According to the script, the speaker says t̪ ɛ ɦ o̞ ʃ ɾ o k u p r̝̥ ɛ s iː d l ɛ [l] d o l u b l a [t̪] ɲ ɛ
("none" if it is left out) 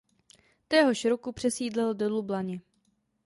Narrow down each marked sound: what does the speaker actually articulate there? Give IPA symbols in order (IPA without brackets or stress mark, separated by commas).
l, none